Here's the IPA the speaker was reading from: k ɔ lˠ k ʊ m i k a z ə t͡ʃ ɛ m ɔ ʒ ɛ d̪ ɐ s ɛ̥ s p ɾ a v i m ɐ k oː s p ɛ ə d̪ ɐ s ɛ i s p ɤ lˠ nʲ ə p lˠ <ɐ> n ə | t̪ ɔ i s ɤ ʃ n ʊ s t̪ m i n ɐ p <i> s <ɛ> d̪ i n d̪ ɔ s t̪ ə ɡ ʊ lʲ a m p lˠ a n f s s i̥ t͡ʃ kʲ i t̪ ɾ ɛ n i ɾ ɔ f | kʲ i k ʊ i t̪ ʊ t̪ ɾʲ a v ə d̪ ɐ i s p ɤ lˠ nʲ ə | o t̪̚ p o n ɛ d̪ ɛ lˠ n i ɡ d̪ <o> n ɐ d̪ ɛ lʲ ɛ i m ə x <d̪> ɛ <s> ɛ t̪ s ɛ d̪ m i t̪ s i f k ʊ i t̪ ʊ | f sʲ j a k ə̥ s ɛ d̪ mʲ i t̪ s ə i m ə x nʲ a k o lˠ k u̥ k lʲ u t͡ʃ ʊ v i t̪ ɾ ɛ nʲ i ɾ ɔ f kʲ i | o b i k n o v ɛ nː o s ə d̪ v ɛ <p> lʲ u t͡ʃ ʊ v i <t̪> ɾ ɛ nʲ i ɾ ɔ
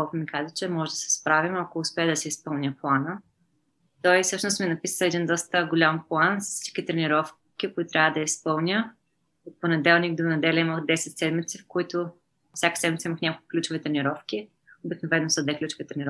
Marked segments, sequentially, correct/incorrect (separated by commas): incorrect, correct, correct, correct, correct, correct, incorrect, correct